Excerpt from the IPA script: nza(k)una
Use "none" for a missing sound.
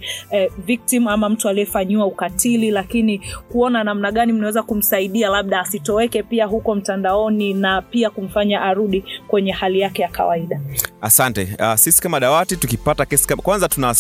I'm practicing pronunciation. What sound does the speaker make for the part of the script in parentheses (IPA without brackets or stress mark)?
t